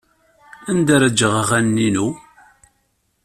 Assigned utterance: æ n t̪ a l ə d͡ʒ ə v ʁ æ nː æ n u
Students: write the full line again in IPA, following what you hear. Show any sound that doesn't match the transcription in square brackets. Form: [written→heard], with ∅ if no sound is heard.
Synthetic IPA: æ n [t̪→d̪] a [l→ɾ] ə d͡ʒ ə [v→ʁ] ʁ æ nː [æ→i] n u